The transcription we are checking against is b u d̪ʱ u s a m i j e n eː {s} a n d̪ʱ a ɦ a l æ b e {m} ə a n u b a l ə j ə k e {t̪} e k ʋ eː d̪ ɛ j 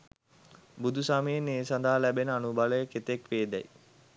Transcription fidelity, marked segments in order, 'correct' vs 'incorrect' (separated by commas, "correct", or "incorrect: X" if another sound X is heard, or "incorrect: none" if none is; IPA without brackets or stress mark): correct, incorrect: n, correct